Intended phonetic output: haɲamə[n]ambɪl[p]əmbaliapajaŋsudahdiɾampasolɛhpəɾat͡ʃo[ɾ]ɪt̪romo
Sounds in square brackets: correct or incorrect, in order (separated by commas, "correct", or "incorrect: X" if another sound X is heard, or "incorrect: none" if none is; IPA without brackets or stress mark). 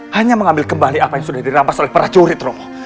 incorrect: ŋ, incorrect: k, correct